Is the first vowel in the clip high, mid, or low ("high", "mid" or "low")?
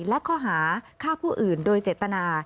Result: mid